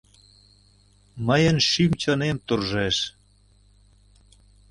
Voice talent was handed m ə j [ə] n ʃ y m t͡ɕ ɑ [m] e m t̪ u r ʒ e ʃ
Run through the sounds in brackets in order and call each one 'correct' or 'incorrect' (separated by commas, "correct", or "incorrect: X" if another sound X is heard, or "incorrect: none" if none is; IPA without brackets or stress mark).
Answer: correct, incorrect: n